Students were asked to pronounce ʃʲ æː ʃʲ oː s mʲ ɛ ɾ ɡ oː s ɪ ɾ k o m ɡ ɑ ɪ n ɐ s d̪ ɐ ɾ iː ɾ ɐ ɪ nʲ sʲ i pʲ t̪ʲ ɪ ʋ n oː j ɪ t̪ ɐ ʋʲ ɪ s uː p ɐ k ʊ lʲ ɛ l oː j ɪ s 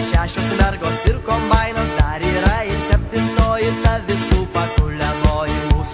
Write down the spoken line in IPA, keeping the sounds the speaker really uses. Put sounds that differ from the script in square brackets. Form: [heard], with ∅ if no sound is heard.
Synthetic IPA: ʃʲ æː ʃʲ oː s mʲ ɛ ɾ ɡ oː s ɪ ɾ k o m [b] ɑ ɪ n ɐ s d̪ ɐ ɾ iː ɾ ɐ ɪ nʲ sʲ [ɛ] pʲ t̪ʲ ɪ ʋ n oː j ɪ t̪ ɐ ʋʲ ɪ s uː p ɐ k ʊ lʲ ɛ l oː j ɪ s